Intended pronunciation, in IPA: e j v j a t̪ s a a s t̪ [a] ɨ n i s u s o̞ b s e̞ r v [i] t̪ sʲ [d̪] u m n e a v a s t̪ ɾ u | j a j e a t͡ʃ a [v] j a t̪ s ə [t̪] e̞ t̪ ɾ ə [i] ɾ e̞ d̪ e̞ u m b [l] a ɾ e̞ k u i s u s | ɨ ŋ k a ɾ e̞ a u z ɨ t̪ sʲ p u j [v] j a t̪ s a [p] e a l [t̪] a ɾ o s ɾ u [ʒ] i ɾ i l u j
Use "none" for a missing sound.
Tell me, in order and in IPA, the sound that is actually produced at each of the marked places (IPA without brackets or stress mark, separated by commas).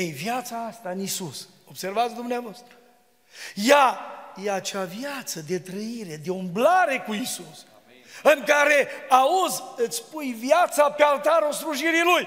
a, a, d̪, v, d̪, i, l, v, p, t̪, ʒ